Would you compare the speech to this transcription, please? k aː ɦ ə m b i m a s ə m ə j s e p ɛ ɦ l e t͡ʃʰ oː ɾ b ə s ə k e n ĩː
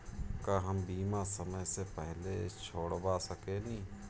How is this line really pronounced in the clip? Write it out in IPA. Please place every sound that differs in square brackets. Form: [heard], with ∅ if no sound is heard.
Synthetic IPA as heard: k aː ɦ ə m b [iː] m a s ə m ə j s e p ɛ ɦ l e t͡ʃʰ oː [ɽ] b [a] s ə k e n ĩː